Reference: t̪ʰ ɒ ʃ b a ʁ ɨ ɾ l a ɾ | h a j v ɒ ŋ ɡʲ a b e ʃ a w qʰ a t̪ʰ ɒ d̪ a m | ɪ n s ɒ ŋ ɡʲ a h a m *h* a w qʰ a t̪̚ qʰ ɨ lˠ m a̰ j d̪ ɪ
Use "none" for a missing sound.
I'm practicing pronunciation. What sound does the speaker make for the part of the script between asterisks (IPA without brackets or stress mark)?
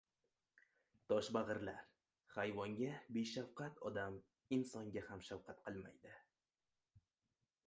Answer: ʃ